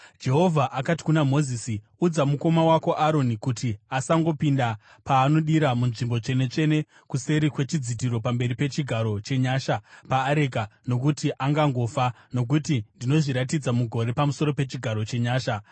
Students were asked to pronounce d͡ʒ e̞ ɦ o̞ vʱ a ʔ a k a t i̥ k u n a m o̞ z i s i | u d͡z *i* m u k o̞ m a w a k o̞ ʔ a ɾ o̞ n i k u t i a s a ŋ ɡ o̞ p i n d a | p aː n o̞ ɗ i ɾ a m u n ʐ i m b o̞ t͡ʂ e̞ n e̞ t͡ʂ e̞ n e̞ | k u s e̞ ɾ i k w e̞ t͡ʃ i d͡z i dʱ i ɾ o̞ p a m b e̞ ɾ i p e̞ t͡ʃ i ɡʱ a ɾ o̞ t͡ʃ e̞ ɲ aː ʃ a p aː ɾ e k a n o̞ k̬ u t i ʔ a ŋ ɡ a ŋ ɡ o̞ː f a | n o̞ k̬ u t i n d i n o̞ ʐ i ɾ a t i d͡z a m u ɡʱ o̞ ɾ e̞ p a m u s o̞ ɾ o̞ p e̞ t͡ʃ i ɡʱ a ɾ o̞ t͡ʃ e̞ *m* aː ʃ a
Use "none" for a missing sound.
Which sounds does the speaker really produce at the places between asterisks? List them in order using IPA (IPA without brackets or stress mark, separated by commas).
a, ɲ